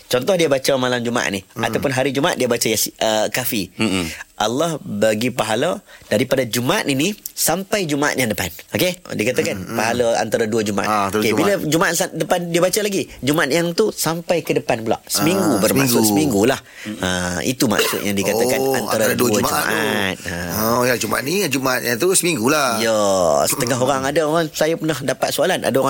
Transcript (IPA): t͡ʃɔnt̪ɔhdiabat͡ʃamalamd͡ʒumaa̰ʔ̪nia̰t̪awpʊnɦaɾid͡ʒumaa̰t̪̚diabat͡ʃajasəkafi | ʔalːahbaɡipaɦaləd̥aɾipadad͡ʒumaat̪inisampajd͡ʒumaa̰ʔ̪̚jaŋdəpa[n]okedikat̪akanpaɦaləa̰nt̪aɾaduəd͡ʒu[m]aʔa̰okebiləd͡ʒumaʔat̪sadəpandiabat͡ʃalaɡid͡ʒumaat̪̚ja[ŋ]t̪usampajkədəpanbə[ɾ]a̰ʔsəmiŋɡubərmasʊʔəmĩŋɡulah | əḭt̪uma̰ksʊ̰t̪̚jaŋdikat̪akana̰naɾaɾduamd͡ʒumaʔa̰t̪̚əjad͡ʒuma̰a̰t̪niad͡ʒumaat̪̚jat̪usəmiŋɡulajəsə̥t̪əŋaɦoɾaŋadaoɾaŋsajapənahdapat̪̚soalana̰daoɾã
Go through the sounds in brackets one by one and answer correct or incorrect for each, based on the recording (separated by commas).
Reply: correct, correct, correct, incorrect